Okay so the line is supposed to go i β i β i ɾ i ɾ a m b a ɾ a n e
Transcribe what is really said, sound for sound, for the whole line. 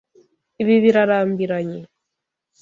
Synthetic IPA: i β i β i ɾ a ɾ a m b i ɾ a ɲ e